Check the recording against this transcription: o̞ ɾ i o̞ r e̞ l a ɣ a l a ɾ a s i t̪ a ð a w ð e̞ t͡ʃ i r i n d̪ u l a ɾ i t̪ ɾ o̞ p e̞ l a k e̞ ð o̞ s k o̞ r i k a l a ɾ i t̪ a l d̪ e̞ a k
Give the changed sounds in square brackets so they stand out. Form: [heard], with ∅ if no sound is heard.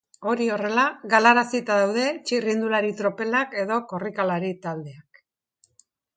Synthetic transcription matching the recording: o̞ ɾ i o̞ r e̞ l a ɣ a l a ɾ a s i t̪ a ð a w ð e̞ t͡ʃ i r i n d̪ u l a ɾ i t̪ ɾ o̞ p e̞ l a k e̞ ð o̞ [∅] k o̞ r i k a l a ɾ i t̪ a l d̪ e̞ a k